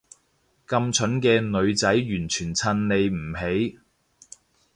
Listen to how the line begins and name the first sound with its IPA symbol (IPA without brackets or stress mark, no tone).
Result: k